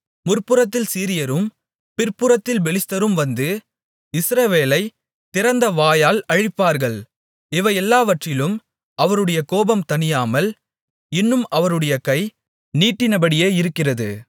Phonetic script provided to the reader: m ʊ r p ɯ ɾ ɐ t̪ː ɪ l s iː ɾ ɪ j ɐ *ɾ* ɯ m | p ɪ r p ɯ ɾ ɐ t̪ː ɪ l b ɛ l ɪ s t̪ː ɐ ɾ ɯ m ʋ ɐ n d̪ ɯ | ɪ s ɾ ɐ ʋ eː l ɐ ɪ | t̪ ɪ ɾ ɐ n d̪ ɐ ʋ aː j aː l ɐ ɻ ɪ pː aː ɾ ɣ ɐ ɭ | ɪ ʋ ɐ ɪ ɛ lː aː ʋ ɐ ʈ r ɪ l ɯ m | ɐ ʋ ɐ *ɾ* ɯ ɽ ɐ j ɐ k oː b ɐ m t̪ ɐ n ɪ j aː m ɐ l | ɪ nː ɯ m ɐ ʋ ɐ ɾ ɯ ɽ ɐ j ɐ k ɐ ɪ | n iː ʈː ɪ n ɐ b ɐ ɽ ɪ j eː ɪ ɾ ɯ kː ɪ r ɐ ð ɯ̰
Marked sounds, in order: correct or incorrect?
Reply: correct, correct

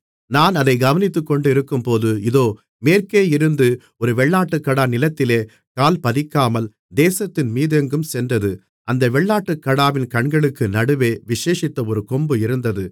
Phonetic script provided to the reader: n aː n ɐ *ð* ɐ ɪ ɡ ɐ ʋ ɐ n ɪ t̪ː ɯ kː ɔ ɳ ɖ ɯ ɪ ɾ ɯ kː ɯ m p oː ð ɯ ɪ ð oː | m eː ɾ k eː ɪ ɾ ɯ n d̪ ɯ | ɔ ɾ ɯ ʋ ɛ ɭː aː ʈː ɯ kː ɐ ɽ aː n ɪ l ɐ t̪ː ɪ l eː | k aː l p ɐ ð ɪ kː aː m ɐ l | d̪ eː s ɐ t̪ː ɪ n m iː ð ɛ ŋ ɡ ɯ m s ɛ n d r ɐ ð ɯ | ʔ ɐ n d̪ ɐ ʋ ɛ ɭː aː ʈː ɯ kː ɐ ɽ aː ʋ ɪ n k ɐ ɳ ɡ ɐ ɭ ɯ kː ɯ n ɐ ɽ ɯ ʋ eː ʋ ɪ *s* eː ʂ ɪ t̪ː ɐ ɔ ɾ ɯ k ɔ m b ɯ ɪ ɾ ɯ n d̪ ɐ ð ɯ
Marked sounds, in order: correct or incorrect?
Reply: correct, incorrect

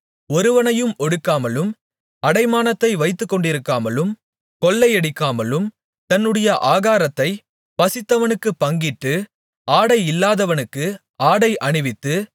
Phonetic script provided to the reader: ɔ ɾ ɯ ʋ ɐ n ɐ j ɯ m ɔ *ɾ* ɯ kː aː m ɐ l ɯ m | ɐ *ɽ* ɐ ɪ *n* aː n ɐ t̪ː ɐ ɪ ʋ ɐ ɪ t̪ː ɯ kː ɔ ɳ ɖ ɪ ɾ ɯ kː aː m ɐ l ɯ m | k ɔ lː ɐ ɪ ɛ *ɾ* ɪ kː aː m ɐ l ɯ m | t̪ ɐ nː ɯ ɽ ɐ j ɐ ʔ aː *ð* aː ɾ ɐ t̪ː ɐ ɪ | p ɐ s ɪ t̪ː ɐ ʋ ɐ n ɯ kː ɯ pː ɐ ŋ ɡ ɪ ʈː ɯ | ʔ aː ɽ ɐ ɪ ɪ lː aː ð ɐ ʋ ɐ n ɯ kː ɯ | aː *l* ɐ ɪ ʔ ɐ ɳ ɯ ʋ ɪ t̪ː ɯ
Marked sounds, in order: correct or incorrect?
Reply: incorrect, correct, incorrect, incorrect, incorrect, incorrect

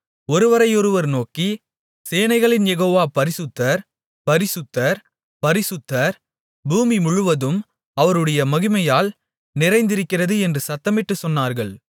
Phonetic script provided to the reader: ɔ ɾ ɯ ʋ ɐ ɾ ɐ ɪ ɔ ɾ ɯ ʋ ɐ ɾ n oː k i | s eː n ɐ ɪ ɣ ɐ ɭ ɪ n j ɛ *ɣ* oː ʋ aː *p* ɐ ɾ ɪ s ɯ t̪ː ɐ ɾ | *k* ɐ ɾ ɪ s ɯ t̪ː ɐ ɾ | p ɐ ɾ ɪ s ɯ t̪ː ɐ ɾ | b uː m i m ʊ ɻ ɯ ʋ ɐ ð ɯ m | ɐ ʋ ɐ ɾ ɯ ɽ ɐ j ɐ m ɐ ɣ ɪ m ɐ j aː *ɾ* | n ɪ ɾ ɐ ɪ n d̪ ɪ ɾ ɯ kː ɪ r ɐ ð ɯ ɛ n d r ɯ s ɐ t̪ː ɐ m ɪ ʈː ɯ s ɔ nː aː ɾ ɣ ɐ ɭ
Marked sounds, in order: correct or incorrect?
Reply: correct, correct, incorrect, incorrect

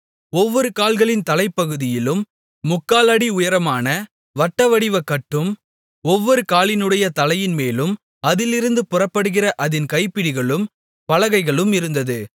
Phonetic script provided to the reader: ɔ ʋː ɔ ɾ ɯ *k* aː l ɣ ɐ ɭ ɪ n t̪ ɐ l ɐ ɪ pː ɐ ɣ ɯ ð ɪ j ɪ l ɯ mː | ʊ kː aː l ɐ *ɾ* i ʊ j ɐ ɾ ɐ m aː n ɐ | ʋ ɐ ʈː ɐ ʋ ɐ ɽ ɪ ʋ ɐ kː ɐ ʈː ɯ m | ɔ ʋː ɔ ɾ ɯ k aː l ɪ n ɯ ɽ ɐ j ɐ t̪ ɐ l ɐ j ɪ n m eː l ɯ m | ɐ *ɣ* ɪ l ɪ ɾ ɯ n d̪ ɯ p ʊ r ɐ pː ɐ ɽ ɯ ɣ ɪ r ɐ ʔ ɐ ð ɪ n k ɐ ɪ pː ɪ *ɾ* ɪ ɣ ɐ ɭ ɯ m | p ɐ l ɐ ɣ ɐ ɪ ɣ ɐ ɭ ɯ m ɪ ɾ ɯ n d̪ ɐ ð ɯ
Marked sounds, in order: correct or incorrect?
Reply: correct, incorrect, incorrect, incorrect

